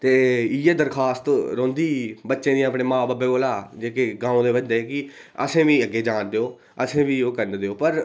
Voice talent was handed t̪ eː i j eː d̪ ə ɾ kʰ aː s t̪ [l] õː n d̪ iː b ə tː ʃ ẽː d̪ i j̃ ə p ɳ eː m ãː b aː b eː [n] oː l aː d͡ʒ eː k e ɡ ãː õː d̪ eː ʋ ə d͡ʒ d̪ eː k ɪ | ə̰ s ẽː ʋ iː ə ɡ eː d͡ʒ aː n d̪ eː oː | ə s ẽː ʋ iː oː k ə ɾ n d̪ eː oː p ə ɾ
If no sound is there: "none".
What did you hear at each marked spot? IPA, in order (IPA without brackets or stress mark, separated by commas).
ɾ, none